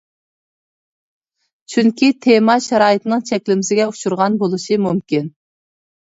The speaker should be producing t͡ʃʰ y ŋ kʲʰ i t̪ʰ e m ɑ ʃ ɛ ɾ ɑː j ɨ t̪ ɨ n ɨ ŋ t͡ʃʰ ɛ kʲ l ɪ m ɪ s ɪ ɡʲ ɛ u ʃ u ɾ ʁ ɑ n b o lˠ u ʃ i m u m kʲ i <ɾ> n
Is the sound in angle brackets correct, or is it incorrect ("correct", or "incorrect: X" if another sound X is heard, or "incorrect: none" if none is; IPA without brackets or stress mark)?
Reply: incorrect: none